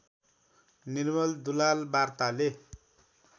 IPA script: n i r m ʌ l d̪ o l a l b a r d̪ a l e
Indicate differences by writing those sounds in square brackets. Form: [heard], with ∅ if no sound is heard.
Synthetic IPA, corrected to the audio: n i r m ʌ l d̪ [u] l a l b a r [t̪] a l e

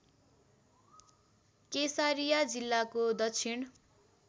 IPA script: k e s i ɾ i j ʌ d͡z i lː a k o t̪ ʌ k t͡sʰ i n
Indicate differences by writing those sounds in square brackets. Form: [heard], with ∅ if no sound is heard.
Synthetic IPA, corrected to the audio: k e s [a] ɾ i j [a] d͡z i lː a k o [d̪] ʌ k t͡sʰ i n

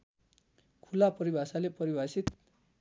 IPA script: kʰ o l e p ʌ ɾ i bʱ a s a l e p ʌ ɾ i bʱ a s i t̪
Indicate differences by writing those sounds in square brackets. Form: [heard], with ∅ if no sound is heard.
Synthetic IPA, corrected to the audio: kʰ [u] l [a] p ʌ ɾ i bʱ a s a l e p ʌ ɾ i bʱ a s i t̪

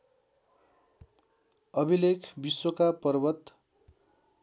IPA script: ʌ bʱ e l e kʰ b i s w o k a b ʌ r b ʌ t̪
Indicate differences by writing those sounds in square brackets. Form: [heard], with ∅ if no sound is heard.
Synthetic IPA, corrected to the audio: ʌ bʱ [i] l e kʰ b i s w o k a [p] ʌ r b ʌ t̪

